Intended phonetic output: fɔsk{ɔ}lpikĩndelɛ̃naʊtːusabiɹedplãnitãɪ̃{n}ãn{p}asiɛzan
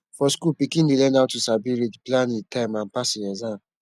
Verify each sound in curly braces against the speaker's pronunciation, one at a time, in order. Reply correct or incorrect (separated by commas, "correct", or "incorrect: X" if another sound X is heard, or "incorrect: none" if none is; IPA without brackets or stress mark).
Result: incorrect: u, incorrect: m, correct